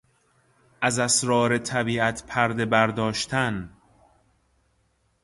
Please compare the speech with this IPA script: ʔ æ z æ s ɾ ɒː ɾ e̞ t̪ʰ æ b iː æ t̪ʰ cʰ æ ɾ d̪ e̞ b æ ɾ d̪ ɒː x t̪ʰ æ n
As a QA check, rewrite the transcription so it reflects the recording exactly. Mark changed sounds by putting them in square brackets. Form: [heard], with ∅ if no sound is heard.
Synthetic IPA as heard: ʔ æ z æ s ɾ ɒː ɾ e̞ t̪ʰ æ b iː æ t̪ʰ [pʰ] æ ɾ d̪ e̞ b æ ɾ d̪ ɒː [ʃ] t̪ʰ æ n